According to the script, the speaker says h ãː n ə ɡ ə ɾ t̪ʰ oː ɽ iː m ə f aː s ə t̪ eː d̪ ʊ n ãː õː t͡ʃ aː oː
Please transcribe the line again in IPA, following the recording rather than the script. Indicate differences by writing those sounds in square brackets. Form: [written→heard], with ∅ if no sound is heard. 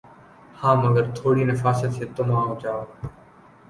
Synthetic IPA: h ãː [n→m] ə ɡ ə ɾ t̪ʰ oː ɽ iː [m→n] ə f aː s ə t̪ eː [d̪→t̪] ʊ [n→m] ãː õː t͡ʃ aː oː